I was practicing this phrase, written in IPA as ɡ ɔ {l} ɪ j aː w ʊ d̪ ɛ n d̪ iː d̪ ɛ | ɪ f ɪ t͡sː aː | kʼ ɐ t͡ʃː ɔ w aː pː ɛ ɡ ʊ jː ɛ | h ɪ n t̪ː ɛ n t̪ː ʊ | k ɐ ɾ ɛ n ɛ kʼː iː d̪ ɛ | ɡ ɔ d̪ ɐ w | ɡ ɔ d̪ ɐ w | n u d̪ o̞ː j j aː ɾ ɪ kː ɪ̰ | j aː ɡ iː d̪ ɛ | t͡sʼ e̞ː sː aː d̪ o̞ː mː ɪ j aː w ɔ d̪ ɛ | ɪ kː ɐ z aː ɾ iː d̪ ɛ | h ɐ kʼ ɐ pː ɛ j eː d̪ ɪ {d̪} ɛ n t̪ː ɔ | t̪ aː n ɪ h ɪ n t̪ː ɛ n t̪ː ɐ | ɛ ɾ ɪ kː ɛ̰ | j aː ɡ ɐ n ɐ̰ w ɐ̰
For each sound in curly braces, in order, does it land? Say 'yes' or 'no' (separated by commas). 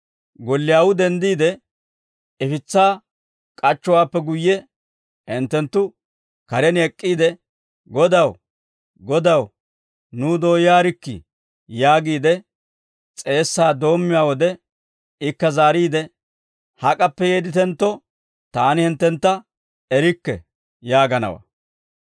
no, no